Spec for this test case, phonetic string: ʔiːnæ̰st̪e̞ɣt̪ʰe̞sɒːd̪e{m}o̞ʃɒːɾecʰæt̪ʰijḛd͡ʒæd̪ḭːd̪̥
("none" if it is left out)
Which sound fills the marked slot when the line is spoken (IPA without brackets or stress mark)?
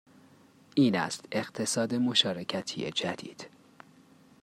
m